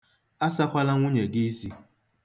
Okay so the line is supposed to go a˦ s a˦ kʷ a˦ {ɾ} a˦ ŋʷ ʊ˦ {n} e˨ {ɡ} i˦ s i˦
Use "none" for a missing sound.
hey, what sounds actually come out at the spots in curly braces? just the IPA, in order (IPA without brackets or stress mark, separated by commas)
l, ɲ, ɡ